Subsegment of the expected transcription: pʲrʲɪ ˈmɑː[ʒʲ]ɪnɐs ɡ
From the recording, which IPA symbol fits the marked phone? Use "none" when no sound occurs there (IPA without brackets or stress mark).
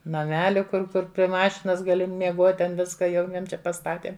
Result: ʃʲ